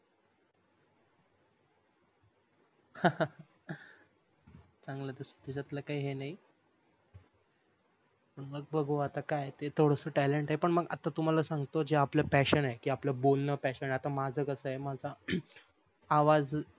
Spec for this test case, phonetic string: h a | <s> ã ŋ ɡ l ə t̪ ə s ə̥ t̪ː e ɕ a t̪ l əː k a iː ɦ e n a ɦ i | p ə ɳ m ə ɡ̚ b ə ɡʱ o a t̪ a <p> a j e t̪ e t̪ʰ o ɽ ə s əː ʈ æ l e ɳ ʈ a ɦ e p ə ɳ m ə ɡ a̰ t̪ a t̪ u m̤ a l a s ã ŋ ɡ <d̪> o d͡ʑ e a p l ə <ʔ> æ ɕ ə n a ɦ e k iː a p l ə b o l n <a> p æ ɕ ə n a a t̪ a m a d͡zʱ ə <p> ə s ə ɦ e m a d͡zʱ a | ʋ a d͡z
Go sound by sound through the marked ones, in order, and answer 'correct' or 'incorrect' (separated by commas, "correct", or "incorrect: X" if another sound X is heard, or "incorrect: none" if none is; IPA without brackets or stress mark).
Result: incorrect: t͡s, incorrect: k, incorrect: t̪, incorrect: p, incorrect: ə, incorrect: k